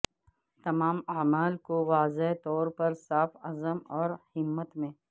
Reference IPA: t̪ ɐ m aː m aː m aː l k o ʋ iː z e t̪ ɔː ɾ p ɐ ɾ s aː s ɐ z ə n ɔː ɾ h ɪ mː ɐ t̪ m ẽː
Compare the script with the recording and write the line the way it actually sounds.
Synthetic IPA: t̪ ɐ m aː m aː m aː l k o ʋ aː z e t̪ ɔː ɾ p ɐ ɾ s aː f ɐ z ə m ɔː ɾ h ɪ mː ə t̪ m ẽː